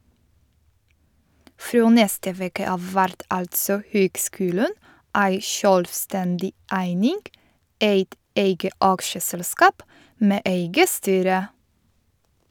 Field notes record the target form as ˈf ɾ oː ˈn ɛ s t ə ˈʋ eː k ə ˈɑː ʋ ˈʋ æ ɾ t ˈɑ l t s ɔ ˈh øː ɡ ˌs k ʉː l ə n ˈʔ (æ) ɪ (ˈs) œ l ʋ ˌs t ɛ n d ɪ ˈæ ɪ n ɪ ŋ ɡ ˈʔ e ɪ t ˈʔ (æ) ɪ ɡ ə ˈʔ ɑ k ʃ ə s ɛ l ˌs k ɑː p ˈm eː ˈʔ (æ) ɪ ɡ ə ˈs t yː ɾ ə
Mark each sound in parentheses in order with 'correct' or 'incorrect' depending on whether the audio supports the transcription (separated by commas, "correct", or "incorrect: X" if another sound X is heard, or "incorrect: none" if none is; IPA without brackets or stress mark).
correct, incorrect: ʃ, incorrect: e, incorrect: e